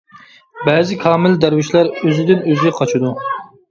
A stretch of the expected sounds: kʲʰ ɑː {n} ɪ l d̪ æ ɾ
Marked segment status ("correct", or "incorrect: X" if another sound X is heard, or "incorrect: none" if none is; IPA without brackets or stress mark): incorrect: m